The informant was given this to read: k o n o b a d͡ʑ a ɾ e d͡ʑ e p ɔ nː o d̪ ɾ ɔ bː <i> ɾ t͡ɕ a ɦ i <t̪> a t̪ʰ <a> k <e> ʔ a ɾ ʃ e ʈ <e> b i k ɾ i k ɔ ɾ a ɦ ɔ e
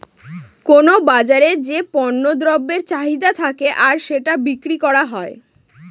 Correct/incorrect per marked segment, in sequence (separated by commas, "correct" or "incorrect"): incorrect, incorrect, correct, correct, incorrect